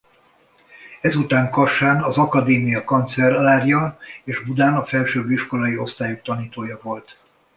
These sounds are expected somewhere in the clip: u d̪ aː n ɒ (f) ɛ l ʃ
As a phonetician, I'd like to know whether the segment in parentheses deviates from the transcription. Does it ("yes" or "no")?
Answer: no